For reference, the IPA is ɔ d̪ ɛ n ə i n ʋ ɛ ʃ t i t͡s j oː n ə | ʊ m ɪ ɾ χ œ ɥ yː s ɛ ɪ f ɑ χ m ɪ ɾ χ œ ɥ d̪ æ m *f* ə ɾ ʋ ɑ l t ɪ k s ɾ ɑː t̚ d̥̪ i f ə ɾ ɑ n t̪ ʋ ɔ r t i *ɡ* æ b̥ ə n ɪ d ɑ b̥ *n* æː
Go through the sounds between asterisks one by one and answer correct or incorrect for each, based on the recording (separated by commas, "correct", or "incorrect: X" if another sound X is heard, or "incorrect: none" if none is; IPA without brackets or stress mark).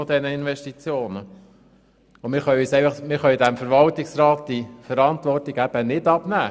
correct, correct, correct